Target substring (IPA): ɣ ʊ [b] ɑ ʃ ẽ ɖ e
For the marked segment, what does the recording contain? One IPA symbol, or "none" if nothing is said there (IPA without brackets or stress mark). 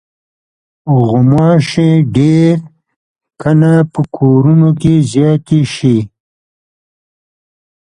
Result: m